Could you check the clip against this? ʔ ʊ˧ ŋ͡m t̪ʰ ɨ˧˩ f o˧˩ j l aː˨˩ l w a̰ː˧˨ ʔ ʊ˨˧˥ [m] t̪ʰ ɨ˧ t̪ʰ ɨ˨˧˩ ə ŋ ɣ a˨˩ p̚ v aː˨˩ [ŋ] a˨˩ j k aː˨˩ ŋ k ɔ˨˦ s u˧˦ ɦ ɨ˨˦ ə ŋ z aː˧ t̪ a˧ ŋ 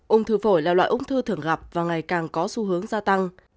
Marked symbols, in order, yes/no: no, yes

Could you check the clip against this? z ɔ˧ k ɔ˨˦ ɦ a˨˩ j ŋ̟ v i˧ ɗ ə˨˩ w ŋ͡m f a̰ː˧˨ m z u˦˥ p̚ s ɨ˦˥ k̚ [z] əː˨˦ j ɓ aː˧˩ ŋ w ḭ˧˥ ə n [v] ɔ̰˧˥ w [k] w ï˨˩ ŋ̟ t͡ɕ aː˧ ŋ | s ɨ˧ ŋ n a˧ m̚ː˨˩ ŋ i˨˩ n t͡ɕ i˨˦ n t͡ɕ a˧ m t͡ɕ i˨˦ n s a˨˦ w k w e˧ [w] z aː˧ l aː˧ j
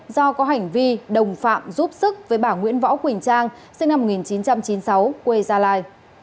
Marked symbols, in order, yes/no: no, yes, yes, no

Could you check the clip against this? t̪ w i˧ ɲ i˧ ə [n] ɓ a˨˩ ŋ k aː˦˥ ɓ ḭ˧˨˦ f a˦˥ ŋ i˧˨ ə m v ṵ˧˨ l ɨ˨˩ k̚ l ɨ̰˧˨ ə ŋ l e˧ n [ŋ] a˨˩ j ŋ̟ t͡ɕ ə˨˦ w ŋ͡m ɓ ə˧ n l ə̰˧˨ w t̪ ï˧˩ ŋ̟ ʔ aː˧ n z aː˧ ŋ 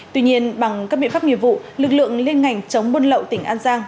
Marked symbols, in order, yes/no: yes, yes

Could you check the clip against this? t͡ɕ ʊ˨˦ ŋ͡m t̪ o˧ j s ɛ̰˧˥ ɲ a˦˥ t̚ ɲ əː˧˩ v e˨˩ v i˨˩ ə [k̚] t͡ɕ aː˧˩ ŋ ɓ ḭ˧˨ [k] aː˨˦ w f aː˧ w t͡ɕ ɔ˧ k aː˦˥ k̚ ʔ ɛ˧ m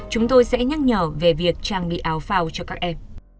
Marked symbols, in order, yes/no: yes, no

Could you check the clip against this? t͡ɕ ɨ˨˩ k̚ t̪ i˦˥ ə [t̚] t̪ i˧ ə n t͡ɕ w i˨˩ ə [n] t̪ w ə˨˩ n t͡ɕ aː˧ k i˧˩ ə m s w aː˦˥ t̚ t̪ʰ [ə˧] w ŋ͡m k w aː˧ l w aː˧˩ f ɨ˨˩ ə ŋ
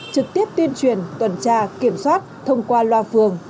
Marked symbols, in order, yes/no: no, yes, yes

